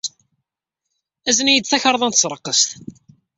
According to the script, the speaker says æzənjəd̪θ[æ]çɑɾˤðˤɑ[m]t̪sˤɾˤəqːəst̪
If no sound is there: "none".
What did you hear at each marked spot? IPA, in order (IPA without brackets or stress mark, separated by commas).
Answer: æ, n